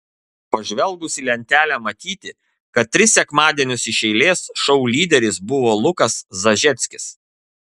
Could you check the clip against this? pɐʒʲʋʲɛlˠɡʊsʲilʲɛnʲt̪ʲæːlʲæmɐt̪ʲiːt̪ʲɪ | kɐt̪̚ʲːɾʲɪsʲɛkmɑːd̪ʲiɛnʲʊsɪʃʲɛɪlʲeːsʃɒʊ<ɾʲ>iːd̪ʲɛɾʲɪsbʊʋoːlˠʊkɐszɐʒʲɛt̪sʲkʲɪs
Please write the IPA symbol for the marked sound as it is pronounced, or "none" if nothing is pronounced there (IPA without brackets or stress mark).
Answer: lʲ